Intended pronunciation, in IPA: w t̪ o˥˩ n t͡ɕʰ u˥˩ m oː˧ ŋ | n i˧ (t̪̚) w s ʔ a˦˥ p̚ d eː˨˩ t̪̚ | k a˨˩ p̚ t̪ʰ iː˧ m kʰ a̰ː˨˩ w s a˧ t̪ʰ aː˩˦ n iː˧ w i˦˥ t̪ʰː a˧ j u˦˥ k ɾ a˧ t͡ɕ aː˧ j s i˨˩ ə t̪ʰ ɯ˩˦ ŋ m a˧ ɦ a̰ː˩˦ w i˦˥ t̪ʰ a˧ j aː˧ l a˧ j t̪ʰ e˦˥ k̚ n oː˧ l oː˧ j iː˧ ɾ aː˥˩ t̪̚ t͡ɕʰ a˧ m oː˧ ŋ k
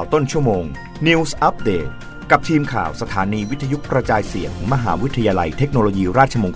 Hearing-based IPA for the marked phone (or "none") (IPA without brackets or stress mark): none